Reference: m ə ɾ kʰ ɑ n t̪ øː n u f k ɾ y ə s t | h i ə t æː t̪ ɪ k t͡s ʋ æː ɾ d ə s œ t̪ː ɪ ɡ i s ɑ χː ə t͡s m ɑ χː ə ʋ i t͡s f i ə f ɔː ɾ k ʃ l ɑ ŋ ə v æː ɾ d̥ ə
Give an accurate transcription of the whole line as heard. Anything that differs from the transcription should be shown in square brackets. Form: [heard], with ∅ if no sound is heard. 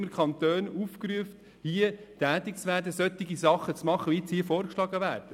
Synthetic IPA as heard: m ə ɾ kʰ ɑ n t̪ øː n u f k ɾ y ə [f] t | h i ə t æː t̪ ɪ k t͡s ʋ æː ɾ d ə s œ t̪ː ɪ ɡ i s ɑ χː ə t͡s m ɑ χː ə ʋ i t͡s [h] i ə f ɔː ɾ k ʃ l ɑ [ɡ] ə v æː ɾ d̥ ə